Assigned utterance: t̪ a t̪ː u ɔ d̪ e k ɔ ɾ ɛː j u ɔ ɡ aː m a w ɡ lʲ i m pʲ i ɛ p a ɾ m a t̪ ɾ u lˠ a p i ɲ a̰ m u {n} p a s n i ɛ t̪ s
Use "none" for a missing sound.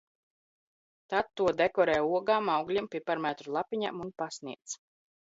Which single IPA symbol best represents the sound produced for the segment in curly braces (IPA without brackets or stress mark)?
n